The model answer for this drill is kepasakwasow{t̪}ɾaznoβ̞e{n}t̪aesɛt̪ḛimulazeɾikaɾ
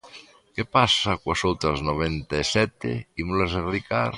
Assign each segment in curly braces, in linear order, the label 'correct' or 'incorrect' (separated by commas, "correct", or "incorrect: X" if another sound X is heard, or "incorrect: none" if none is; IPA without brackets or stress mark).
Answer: correct, correct